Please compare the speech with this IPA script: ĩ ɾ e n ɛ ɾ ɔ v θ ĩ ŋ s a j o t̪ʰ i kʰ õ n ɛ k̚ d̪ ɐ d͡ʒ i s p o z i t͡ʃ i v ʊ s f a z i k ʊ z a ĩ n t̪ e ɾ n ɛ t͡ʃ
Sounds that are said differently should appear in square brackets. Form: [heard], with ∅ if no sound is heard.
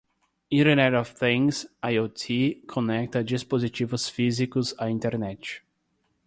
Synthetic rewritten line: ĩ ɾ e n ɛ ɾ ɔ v θ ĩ ŋ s a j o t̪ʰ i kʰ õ n ɛ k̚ [t̪] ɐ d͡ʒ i s p o z i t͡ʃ i v ʊ s f [i] z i k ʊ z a ĩ n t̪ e ɾ n ɛ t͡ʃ